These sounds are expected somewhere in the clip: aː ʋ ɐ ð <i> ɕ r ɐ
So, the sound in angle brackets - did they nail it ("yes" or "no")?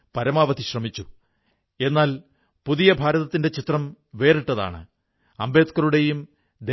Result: yes